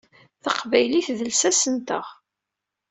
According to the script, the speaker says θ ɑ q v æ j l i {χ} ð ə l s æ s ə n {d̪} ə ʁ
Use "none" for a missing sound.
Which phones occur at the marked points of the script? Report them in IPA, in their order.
θ, t̪

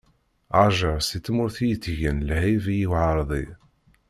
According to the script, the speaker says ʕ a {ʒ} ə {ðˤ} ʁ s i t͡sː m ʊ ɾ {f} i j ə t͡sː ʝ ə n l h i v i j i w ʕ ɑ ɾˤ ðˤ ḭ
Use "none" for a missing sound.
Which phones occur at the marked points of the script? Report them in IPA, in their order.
ʒ, none, θ

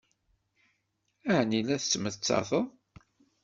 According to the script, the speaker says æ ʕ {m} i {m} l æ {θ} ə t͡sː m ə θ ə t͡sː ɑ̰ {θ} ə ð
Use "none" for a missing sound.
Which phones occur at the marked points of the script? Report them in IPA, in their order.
n, none, θ, θ

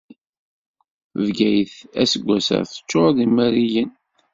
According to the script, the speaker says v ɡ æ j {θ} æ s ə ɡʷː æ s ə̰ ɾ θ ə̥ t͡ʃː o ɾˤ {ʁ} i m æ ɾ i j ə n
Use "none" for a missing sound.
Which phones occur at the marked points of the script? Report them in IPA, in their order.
θ, ð

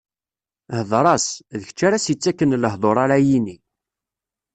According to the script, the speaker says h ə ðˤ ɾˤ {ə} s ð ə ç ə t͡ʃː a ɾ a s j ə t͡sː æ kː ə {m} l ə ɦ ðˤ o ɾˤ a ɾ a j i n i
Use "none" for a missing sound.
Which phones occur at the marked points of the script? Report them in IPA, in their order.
ɑ, n

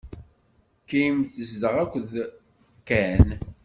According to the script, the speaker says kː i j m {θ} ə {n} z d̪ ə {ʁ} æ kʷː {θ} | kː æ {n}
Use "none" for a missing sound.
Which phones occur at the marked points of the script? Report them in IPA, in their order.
θ, none, ʁ, ð, n

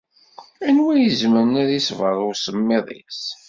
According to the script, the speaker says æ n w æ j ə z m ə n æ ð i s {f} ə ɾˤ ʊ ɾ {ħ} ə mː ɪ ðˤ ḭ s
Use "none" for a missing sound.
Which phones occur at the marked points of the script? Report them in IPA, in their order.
v, s

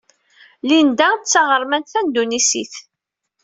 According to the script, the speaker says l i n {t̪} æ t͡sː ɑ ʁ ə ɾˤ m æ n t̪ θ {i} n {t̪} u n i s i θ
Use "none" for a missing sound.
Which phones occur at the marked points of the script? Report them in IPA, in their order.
d̪, æ, d̪

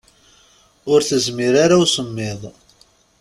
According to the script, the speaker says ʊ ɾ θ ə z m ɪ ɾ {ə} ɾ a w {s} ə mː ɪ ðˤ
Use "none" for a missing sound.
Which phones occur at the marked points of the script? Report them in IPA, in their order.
a, s

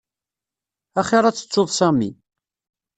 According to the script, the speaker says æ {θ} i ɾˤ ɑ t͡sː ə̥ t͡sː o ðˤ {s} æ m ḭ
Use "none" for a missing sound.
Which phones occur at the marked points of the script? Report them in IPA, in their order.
χ, s

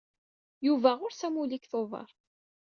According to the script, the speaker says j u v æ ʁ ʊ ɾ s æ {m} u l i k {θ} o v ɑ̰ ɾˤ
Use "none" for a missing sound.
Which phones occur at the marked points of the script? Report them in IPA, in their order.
m, θ

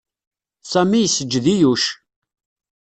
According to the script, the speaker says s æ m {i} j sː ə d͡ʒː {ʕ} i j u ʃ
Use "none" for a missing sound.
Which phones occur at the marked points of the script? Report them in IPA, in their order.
i, ð

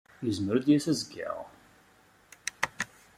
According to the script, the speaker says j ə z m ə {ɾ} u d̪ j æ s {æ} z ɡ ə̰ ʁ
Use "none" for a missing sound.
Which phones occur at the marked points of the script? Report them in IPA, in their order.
ɾ, æ

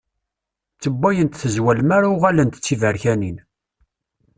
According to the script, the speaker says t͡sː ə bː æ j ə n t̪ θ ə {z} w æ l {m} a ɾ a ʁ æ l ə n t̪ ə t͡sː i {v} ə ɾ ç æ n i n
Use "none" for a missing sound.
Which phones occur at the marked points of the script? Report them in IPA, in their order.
z, m, v

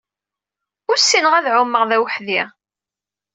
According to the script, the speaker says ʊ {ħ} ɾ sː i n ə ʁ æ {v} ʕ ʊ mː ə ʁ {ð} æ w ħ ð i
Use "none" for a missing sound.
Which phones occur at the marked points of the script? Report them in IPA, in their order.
none, ð, ð

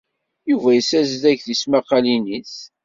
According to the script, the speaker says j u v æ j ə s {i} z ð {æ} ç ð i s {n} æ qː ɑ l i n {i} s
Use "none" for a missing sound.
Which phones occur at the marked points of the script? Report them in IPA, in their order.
æ, æ, m, i

